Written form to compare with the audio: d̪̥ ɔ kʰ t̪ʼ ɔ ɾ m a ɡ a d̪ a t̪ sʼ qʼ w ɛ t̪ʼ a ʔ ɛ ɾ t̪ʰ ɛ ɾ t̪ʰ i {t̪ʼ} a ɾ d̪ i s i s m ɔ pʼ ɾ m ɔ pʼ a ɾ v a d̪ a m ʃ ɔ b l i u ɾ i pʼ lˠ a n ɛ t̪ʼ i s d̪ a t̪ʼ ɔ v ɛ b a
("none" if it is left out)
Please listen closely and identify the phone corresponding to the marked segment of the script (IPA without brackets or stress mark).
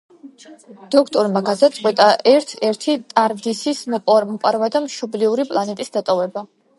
t̪ʼ